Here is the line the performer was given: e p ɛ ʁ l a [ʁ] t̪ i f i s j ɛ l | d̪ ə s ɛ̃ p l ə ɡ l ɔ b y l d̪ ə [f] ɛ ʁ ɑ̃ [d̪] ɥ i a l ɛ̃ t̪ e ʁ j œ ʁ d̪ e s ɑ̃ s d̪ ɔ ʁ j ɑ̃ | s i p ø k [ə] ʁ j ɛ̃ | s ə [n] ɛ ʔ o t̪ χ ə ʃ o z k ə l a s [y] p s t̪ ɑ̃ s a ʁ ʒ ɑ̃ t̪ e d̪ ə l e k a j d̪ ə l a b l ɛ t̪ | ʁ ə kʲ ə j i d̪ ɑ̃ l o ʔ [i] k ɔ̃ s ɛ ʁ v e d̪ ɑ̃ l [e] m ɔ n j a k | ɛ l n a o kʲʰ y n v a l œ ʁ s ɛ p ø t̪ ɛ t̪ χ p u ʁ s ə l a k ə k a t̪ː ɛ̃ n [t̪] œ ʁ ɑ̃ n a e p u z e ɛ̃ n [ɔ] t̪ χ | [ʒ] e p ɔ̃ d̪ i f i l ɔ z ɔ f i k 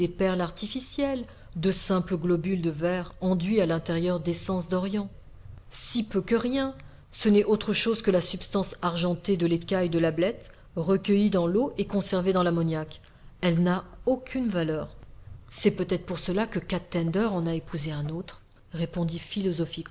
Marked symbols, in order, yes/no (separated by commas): yes, no, yes, yes, yes, yes, no, no, no, no, no